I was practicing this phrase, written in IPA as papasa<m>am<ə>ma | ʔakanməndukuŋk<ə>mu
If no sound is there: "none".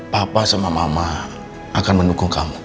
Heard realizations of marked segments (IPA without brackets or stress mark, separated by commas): m, a, a